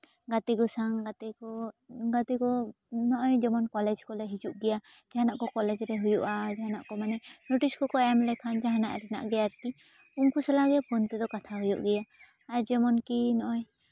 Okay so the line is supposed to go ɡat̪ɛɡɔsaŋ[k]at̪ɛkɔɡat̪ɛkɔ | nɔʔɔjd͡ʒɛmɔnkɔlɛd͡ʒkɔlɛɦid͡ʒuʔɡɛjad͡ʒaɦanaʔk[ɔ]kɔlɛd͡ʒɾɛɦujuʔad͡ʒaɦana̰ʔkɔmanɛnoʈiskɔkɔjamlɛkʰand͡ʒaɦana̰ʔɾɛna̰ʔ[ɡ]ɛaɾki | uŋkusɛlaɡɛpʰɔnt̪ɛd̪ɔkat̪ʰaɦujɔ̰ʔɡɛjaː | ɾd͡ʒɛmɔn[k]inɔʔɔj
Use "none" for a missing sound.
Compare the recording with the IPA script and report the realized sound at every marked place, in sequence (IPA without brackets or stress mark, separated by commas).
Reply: ɡ, ɔ, ɡ, k